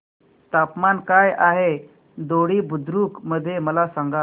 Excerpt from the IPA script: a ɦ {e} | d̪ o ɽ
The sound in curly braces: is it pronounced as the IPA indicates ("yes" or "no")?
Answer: yes